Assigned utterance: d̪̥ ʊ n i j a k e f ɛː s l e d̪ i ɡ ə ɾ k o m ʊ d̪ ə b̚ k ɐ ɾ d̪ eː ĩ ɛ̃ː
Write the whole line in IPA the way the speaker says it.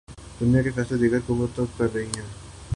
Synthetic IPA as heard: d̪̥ ʊ n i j a k e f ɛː s l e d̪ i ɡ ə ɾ k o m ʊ t̪ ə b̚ k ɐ ɾ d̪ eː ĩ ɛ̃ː